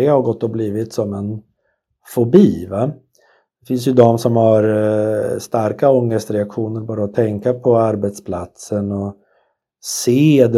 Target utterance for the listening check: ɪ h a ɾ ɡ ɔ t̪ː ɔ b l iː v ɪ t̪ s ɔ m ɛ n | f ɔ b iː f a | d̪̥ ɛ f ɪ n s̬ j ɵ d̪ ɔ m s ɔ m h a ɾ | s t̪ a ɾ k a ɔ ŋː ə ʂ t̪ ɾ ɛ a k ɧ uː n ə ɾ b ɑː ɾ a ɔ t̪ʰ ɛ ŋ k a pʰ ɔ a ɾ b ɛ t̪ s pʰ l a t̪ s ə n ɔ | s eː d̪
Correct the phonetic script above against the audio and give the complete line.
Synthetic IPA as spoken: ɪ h a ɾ ɡ ɔ t̪ː ɔ b l iː v ɪ t̪ s ɔ m ɛ n | f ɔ b iː v a | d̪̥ ɛ f ɪ n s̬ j ɵ d̪ ɔ m s ɔ m h a ɾ | s t̪ a ɾ k a ɔ ŋː ə s t̪ ɾ ɛ a k ɧ uː n ə ɾ b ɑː ɾ a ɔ t̪ʰ ɛ ŋ k a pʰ ɔ a ɾ b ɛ t̪ s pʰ l a t̪ s ə n ɔ | s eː d̪